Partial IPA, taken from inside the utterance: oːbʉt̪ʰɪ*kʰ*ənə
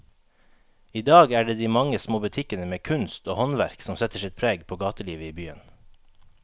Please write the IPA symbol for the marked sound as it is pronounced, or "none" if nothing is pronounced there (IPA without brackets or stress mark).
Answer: k